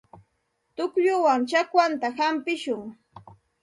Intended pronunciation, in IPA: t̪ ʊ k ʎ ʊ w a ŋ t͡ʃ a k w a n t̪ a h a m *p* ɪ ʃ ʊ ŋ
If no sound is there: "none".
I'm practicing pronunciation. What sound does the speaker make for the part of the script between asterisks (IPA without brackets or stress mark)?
p